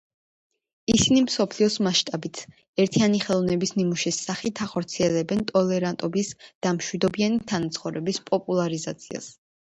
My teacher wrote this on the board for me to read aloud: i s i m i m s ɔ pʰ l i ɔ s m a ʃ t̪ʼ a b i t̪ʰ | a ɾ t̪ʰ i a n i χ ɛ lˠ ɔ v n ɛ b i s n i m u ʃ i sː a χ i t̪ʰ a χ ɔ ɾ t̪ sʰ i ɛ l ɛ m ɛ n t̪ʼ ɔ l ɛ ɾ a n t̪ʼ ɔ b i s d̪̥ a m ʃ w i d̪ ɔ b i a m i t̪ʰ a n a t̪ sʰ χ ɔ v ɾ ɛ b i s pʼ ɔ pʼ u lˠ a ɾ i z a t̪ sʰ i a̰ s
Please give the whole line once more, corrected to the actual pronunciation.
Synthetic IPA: i s i n i m s ɔ pʰ l i ɔ s m a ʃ t̪ʼ a b i t̪ʰ | ɛ ɾ t̪ʰ i a n i χ ɛ lˠ ɔ v n ɛ b i s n i m u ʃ i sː a χ i t̪ʰ a χ ɔ ɾ t̪ sʰ i ɛ l ɛ b ɛ n t̪ʼ ɔ l ɛ ɾ a n t̪ʼ ɔ b i s d̪̥ a m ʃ w i d̪ ɔ b i a n i t̪ʰ a n a t̪ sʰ χ ɔ v ɾ ɛ b i s pʼ ɔ pʼ u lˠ a ɾ i z a t̪ sʰ i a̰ s